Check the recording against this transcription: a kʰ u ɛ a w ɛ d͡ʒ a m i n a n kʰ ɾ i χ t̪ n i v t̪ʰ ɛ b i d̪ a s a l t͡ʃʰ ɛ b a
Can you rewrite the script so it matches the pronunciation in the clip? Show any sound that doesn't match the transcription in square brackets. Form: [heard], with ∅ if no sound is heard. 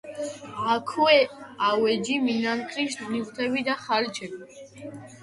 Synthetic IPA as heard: a kʰ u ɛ a w ɛ d͡ʒ [i] m i n a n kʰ ɾ i [ʃ] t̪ n i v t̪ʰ ɛ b i d̪ a [χ] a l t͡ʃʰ ɛ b [i]

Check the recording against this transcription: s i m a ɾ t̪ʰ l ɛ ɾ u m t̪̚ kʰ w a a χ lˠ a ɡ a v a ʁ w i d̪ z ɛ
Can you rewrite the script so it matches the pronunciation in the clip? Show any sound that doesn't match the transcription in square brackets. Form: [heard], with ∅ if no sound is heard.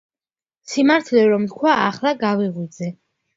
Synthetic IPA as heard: s i m a ɾ t̪ʰ l ɛ ɾ [ɔ] m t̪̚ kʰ w a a χ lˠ a ɡ a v [i] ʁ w i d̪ z ɛ

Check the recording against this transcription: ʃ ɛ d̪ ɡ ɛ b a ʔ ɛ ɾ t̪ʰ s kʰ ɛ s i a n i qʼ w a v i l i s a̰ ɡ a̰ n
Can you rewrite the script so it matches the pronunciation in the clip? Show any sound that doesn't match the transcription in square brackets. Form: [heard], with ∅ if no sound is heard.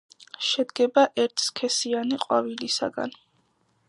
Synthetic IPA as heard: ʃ ɛ d̪ ɡ ɛ b a ʔ ɛ ɾ t̪ʰ s kʰ ɛ s i a n i qʼ w a v i l i s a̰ ɡ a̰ n

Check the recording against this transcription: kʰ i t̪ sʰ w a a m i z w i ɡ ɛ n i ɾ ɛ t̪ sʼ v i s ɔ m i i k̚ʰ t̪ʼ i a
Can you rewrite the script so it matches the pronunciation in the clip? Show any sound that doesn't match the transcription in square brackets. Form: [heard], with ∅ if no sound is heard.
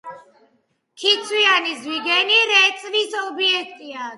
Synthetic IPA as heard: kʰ i t̪ sʰ w [i] a [n] i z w i ɡ ɛ n i ɾ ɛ t̪ sʼ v i s ɔ [b] i [ɛ] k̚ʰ t̪ʼ i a

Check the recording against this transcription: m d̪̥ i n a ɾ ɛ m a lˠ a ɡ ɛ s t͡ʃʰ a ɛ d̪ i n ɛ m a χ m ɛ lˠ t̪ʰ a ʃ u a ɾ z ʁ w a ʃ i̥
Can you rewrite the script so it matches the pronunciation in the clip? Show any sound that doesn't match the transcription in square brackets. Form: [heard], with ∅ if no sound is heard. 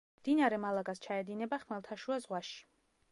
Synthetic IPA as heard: m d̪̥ i n a ɾ ɛ m a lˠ a ɡ [a] s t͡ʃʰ a ɛ d̪ i n ɛ [b] a χ m ɛ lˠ t̪ʰ a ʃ u a [∅] z ʁ w a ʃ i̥

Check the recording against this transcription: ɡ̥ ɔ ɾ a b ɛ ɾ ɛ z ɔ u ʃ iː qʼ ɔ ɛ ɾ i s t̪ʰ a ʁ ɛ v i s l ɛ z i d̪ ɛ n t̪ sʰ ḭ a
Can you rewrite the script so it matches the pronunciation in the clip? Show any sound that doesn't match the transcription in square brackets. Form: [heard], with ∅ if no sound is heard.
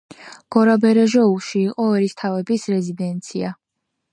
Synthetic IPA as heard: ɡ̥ ɔ ɾ a b ɛ ɾ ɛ [ʒ] ɔ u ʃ iː qʼ ɔ ɛ ɾ i s t̪ʰ a [v] ɛ [b] i s [ɾ] ɛ z i d̪ ɛ n t̪ sʰ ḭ a

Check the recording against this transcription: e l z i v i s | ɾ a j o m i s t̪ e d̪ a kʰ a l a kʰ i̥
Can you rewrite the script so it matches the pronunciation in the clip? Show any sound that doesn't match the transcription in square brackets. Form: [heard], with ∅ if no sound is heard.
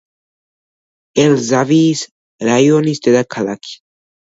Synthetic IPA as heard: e l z [a] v i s | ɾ a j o [n] i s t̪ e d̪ a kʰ a l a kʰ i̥

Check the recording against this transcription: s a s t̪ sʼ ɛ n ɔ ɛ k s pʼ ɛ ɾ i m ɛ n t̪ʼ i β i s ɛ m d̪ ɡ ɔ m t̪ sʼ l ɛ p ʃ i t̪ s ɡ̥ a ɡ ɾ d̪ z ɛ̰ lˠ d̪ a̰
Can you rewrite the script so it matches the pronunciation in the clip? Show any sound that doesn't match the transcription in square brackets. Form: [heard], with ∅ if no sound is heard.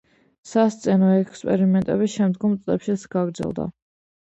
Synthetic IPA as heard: s a s t̪ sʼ ɛ n ɔ ɛ k s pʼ ɛ ɾ i m ɛ n t̪ʼ [ɛ] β i [ʃ] ɛ m d̪ ɡ ɔ m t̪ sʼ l ɛ p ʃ i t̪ s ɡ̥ a ɡ ɾ d̪ z ɛ̰ lˠ d̪ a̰

